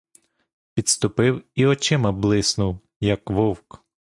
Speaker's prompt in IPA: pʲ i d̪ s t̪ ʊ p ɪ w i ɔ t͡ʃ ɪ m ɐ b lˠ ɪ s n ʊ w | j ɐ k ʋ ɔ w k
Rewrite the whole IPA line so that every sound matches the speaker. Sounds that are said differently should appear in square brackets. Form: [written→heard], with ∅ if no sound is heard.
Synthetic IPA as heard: pʲ i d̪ s t̪ ʊ p ɪ w i ɔ t͡ʃ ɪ m ɐ b lˠ ɪ s n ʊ w | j ɐ k ʋ ɔ w k